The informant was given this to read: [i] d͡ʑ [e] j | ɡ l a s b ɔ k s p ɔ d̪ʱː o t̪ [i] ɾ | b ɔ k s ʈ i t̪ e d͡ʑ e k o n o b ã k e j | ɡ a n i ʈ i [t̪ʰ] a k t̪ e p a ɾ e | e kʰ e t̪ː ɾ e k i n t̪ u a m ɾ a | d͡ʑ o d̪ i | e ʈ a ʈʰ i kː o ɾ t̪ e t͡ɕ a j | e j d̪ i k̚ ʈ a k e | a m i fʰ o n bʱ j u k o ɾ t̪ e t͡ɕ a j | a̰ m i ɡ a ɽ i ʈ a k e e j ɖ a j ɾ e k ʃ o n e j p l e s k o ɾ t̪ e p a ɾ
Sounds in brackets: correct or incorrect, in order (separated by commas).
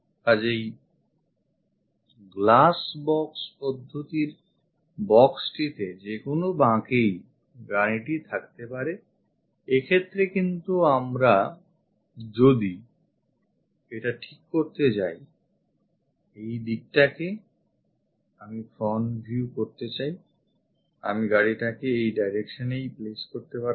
incorrect, correct, correct, correct